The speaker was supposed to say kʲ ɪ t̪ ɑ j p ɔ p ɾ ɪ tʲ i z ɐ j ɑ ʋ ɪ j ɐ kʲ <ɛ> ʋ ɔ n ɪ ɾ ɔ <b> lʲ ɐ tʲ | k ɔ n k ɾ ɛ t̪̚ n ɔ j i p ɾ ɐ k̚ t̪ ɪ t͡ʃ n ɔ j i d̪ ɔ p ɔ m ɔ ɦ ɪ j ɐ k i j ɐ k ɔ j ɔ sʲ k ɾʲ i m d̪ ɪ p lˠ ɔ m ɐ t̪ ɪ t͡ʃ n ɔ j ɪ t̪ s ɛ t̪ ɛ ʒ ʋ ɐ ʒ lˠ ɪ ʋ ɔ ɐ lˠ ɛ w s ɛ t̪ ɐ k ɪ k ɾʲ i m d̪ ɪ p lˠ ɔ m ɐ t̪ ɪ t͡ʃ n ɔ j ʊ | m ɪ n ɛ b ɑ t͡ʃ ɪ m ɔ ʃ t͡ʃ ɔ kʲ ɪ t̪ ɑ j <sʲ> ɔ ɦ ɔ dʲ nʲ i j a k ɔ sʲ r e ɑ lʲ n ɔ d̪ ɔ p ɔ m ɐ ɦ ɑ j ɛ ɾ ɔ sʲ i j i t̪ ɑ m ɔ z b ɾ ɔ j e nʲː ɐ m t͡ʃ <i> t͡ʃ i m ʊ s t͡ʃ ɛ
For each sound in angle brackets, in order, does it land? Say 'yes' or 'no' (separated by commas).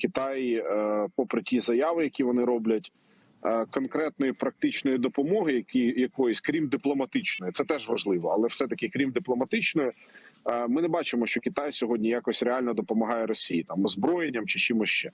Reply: no, yes, yes, no